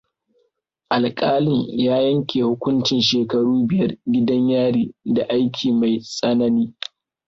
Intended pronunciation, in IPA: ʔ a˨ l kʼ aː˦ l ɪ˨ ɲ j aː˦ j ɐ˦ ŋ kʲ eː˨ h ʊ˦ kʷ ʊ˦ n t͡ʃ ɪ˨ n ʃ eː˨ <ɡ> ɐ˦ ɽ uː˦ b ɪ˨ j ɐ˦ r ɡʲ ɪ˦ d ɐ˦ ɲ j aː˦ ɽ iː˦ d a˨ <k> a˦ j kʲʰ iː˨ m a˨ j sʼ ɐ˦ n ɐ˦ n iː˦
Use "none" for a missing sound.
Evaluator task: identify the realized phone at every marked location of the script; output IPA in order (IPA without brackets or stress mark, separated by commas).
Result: k, ʔ